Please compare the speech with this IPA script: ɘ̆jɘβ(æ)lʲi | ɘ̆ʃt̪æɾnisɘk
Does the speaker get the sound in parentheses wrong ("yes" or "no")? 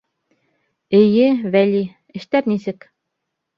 no